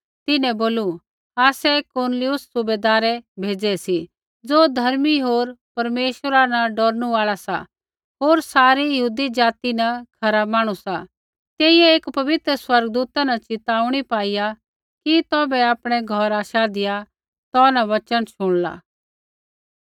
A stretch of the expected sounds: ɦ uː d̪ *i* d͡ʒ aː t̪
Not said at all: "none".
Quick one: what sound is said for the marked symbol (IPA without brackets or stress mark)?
i